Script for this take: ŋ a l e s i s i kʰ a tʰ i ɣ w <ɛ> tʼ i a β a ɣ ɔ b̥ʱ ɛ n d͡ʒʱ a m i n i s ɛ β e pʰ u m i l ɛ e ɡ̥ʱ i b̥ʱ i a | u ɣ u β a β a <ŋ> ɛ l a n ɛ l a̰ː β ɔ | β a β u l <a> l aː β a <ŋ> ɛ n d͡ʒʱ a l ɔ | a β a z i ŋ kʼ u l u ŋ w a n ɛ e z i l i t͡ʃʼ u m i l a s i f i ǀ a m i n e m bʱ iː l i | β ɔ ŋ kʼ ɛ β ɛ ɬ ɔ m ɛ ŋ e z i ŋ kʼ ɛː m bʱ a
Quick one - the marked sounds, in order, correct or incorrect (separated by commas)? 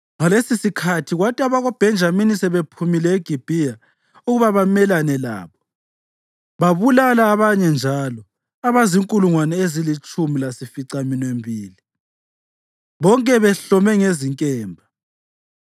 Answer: incorrect, incorrect, correct, incorrect